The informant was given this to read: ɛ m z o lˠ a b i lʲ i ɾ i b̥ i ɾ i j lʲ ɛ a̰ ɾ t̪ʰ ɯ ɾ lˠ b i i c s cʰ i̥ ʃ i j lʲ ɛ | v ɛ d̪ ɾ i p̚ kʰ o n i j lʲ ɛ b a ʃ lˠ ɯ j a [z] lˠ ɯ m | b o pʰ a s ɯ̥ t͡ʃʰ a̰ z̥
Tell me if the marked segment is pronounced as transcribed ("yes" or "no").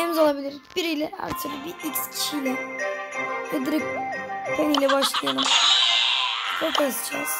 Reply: no